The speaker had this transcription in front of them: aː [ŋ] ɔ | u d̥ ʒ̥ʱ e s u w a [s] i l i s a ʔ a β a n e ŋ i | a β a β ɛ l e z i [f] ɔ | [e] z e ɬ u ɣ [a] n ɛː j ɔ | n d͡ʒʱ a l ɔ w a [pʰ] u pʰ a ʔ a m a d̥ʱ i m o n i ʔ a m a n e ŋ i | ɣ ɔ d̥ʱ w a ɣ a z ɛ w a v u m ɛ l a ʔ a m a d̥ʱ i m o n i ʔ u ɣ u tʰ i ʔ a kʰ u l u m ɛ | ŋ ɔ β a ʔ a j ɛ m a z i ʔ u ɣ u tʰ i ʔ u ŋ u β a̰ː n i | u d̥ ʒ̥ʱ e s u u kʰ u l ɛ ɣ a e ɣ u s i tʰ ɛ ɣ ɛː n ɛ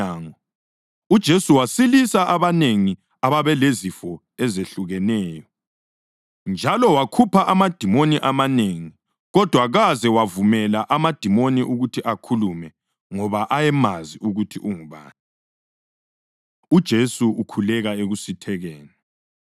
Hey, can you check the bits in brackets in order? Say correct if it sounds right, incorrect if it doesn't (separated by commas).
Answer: correct, correct, correct, incorrect, incorrect, incorrect